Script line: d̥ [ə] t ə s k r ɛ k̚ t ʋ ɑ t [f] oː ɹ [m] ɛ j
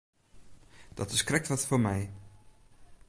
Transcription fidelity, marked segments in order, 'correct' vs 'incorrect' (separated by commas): incorrect, correct, correct